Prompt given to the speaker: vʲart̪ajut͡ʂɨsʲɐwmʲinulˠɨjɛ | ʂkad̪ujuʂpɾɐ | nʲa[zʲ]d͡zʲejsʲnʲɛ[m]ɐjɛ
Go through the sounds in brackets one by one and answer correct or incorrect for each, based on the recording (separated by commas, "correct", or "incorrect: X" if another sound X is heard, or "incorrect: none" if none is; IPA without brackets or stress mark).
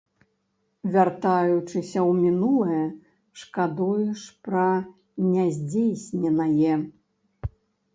correct, incorrect: n